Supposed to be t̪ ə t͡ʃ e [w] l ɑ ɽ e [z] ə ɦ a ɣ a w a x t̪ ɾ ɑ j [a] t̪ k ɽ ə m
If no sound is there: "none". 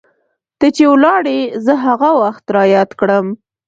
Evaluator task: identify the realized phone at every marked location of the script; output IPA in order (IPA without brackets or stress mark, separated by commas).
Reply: w, z, ɑ